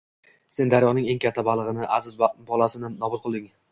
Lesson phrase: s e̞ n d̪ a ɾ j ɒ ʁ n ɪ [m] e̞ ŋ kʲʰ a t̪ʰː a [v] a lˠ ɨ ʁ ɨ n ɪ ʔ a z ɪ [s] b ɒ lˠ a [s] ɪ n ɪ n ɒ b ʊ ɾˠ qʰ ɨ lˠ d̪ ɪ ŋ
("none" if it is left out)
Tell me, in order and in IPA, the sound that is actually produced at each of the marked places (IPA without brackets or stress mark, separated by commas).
ŋ, b, z, s